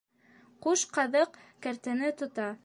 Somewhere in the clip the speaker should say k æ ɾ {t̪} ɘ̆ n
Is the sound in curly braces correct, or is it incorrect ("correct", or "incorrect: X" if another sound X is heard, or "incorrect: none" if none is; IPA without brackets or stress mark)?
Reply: correct